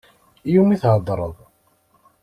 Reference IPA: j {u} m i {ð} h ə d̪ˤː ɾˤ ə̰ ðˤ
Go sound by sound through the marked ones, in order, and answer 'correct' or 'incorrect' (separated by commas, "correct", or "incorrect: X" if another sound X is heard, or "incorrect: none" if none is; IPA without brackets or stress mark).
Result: correct, incorrect: θ